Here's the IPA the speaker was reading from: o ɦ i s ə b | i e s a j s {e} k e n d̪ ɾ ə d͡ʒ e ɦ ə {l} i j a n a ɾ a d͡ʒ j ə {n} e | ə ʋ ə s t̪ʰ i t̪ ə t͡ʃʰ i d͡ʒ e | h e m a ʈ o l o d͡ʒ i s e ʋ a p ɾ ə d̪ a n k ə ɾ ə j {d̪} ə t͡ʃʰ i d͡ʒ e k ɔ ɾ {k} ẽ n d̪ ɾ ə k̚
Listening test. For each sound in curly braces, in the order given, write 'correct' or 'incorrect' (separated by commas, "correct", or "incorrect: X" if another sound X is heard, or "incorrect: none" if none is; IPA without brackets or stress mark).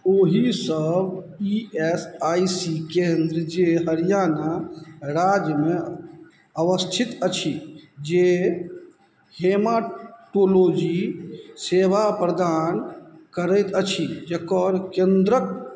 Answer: incorrect: i, incorrect: ɾ, incorrect: m, incorrect: t̪, correct